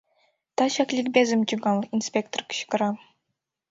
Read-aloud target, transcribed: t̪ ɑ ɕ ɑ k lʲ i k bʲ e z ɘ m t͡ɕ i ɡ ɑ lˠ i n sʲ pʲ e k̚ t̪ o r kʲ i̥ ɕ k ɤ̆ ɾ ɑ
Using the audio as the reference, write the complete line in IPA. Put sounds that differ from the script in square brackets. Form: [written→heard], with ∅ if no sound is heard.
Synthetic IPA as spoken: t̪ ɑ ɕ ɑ k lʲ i k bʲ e z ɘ m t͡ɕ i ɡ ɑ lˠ i n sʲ pʲ e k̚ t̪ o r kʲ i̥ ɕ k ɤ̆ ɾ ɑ